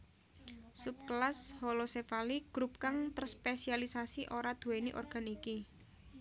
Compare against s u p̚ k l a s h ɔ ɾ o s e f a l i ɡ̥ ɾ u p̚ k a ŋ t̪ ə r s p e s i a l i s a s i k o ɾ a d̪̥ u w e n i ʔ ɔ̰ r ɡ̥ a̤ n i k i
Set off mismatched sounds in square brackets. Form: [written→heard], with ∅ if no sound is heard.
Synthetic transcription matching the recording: s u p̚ k l a s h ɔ [ɾ→l] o s e f a l i ɡ̥ ɾ u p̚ k a ŋ t̪ ə r s p e s i a l i s a s i [k→ʔ] o ɾ a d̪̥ u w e n i ʔ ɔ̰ r ɡ̥ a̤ n i k i